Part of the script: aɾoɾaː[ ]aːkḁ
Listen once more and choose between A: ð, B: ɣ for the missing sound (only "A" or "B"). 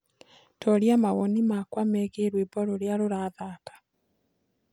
A